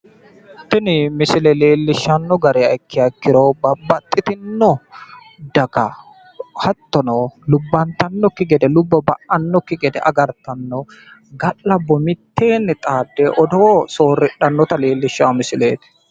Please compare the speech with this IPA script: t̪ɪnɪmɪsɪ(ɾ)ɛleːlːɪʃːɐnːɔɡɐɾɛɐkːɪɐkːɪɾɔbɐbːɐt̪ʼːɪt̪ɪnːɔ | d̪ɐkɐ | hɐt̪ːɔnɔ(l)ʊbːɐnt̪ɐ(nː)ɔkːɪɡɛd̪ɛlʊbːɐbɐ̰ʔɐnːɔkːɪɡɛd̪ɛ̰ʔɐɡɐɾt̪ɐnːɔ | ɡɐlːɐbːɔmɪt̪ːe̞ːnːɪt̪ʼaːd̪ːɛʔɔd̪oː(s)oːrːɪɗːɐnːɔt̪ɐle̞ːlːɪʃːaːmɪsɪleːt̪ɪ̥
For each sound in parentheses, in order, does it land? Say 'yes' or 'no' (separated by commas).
no, yes, yes, yes